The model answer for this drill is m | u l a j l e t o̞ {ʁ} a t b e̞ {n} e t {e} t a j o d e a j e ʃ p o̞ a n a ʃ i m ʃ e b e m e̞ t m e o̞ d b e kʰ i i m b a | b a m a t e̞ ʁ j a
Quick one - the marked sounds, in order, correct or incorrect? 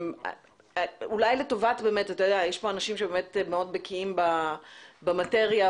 incorrect: v, incorrect: m, incorrect: a

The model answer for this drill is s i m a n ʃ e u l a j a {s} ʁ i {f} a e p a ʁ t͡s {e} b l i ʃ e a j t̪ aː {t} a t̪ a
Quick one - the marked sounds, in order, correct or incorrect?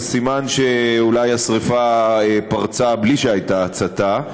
correct, correct, incorrect: a, incorrect: t͡s

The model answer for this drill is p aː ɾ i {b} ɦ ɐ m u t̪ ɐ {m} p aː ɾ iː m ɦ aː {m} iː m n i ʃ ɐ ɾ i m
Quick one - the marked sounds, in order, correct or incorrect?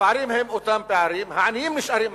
incorrect: m, correct, incorrect: n

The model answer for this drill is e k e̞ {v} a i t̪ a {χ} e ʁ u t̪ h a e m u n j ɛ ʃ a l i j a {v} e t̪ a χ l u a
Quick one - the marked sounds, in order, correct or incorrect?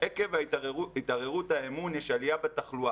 correct, incorrect: ʁ, incorrect: b

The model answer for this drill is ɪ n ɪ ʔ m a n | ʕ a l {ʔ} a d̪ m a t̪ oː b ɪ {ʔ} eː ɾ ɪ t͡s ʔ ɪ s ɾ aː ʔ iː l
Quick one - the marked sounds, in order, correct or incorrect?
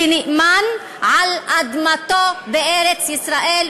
correct, correct

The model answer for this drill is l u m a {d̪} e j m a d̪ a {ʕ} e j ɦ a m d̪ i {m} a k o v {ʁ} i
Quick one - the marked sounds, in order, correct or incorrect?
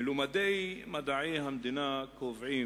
correct, correct, incorrect: n, incorrect: ʕ

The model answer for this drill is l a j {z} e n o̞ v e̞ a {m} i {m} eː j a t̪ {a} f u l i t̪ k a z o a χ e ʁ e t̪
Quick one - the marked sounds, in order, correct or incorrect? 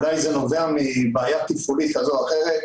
correct, correct, incorrect: b, incorrect: i

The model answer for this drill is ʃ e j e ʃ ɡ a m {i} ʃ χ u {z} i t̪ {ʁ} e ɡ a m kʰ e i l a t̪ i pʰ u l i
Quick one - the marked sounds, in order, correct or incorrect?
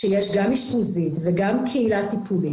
correct, correct, incorrect: v

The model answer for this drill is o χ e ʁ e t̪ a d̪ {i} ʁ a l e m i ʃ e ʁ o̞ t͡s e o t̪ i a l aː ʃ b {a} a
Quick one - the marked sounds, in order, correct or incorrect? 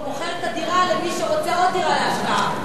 correct, correct

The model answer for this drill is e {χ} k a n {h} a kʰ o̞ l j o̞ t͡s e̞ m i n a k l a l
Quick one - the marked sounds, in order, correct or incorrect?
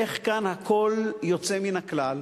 correct, correct

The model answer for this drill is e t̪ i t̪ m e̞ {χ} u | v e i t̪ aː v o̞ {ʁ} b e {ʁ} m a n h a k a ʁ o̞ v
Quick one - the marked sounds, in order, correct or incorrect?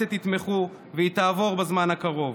correct, correct, incorrect: z

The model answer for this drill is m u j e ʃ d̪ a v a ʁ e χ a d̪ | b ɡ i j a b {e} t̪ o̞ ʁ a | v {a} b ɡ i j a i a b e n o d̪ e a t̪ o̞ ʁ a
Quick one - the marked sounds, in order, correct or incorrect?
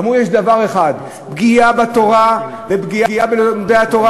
incorrect: a, incorrect: e

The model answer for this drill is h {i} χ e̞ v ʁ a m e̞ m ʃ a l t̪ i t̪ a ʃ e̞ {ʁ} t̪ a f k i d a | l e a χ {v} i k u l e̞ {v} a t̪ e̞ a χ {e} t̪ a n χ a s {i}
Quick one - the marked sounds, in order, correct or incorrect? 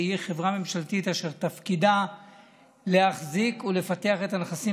correct, correct, incorrect: z, incorrect: f, correct, correct

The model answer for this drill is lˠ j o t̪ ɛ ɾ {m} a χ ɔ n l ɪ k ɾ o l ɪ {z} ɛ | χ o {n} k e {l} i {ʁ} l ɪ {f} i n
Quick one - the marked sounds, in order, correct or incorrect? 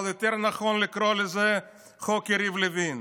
incorrect: n, correct, incorrect: none, incorrect: ɾ, incorrect: v, incorrect: v

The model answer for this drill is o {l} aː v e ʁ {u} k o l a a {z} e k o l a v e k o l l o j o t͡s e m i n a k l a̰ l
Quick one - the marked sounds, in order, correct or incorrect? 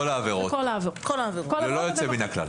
correct, incorrect: o, incorrect: v

